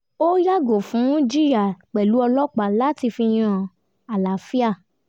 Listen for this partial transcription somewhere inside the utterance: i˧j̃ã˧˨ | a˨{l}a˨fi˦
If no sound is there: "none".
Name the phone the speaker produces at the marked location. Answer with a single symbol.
l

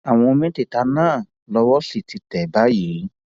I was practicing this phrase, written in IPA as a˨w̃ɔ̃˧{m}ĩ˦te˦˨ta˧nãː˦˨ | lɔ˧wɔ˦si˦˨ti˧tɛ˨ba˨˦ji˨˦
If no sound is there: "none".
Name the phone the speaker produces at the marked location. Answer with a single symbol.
m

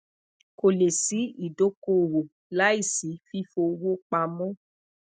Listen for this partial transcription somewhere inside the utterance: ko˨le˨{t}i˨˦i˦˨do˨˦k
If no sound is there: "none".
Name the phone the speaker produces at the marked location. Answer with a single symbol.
s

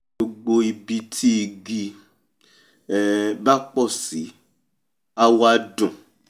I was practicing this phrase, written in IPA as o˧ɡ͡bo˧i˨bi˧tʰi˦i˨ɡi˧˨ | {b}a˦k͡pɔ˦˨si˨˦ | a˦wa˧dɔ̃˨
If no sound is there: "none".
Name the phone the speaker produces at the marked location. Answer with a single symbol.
b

